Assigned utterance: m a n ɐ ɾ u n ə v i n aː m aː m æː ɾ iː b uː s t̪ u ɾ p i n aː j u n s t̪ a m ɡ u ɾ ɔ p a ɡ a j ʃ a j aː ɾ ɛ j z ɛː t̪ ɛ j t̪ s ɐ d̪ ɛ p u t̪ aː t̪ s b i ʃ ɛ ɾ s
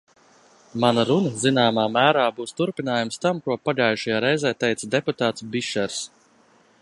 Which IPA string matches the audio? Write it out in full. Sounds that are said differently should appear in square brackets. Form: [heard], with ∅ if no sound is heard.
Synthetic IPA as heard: m a n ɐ ɾ u n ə [z] i n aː m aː m æː ɾ [aː] b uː s t̪ u ɾ p i n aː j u [m] s t̪ a m [k] u [∅] ɔ p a ɡ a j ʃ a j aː ɾ ɛ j z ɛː t̪ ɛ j t̪ s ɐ d̪ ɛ p u t̪ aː t̪ s b i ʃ ɛ ɾ s